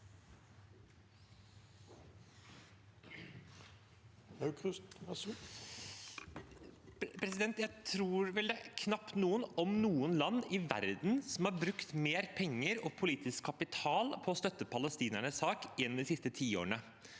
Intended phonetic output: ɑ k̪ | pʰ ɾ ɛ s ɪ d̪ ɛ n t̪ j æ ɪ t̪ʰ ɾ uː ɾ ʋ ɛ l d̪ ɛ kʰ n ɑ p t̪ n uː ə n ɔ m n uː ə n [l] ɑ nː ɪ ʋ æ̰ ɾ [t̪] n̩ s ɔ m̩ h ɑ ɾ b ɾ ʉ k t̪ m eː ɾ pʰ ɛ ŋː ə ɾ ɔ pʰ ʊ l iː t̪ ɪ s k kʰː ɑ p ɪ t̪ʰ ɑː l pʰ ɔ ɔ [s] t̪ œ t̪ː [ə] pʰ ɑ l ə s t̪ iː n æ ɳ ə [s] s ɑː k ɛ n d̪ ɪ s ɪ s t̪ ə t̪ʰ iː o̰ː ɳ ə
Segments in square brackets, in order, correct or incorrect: correct, incorrect: d̪, correct, correct, correct

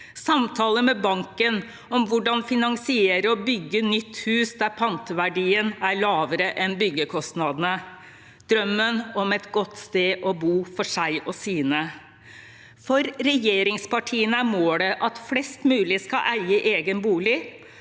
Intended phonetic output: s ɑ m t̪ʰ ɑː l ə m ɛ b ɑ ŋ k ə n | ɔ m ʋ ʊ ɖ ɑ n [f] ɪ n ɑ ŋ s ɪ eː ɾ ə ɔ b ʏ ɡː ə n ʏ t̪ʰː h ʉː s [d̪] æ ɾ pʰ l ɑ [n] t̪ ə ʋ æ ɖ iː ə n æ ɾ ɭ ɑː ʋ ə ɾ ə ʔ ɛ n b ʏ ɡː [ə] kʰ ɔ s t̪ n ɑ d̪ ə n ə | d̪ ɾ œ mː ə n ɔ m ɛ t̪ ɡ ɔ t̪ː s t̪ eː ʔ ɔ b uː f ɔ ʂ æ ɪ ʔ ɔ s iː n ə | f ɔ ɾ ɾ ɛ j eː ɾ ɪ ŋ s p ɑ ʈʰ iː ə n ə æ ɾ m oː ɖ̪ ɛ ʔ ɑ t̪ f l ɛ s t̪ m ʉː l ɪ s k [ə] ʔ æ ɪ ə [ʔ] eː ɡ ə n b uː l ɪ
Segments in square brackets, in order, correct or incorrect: correct, correct, correct, correct, incorrect: ɑ, correct

